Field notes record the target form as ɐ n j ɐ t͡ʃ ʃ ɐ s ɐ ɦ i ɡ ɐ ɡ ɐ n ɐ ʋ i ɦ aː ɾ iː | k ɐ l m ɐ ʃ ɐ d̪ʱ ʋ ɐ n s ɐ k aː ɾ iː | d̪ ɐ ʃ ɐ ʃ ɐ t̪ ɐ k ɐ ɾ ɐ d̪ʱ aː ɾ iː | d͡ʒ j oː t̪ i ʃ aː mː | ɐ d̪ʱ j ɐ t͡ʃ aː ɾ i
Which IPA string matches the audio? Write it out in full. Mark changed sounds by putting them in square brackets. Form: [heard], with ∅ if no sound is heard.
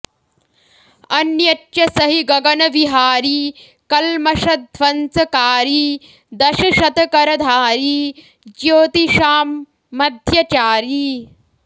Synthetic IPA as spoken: ɐ n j ɐ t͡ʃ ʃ ɐ s ɐ ɦ i ɡ ɐ ɡ ɐ n ɐ ʋ i ɦ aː ɾ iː | k ɐ l m ɐ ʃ ɐ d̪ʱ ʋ ɐ n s ɐ k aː ɾ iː | d̪ ɐ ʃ ɐ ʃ ɐ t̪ ɐ k ɐ ɾ ɐ d̪ʱ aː ɾ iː | d͡ʒ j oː t̪ i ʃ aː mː | ɐ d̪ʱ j ɐ t͡ʃ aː ɾ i